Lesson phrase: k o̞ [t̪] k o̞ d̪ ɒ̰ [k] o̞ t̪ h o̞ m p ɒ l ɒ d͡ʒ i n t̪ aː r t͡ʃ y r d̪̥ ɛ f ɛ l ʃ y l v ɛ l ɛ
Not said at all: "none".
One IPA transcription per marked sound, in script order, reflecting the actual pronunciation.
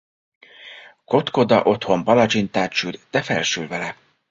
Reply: t̪, ʔ

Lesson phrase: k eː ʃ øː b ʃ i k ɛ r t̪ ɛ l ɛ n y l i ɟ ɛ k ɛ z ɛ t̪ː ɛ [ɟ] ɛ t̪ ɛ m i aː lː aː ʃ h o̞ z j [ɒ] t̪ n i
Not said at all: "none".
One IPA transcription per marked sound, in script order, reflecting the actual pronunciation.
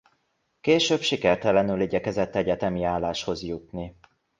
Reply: ɟ, u

